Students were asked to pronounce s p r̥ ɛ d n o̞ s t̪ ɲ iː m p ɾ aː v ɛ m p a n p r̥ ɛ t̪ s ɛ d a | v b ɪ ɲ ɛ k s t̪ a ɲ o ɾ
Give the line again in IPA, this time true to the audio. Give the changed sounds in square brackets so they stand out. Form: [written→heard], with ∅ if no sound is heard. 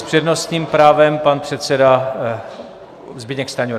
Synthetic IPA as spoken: s p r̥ ɛ d n o̞ s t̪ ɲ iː m p ɾ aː v ɛ m p a n p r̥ ɛ t̪ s ɛ d a | [v→z] b ɪ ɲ ɛ k s t̪ a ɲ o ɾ